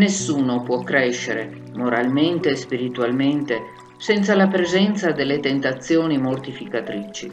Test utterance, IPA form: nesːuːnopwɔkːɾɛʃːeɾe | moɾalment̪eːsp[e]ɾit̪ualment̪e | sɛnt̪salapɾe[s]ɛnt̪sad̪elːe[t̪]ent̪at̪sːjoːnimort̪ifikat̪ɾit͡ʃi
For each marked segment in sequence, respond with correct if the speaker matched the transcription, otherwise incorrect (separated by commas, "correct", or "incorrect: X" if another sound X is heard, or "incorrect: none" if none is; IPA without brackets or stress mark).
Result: incorrect: i, incorrect: z, correct